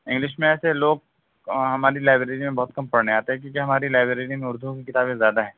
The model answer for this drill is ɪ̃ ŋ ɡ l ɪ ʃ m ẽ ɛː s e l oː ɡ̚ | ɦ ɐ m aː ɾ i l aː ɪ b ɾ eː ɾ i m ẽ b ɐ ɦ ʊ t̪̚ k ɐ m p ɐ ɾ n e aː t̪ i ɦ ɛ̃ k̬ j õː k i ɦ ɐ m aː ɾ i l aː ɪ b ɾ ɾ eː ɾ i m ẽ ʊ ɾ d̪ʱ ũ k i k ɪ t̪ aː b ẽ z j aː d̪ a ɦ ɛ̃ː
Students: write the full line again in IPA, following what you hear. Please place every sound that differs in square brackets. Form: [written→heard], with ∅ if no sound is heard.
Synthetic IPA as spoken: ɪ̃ ŋ ɡ l ɪ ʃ m ẽ ɛː s e l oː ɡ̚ | ɦ ɐ m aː ɾ i l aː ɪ b ɾ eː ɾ i m ẽ b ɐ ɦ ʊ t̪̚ k ɐ m p ɐ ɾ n e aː t̪ [i→e] ɦ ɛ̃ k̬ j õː k i ɦ ɐ m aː ɾ i l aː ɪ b ɾ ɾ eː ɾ i m ẽ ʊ ɾ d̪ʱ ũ k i k ɪ t̪ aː b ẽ z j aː d̪ a ɦ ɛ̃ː